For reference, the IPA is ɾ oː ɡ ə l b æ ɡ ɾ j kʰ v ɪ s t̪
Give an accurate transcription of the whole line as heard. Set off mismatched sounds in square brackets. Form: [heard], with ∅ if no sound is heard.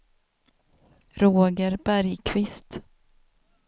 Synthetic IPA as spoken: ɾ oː ɡ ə [ɾ] b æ [∅] ɾ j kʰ v ɪ s t̪